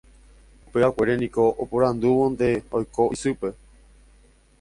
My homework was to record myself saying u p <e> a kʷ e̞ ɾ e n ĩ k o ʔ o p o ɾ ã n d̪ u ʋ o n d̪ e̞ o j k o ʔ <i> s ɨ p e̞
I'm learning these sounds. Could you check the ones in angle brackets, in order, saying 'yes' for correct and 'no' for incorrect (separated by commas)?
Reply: yes, yes